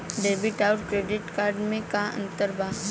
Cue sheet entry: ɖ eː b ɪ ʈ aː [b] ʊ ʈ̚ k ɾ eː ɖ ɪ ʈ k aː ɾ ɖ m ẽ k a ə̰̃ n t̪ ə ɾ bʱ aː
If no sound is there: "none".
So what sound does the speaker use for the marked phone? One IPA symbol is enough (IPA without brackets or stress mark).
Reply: none